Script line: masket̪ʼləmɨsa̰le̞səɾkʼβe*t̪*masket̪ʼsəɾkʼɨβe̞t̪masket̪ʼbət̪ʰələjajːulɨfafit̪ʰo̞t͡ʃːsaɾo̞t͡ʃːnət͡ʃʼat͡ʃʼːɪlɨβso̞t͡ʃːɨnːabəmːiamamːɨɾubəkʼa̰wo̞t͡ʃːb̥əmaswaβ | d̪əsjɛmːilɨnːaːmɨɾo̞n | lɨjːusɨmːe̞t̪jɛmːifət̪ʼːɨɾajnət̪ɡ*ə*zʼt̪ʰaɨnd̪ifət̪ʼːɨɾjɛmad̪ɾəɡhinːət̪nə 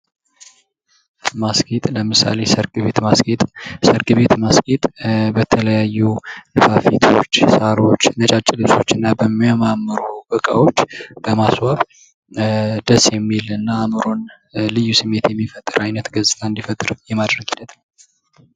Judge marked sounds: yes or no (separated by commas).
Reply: yes, yes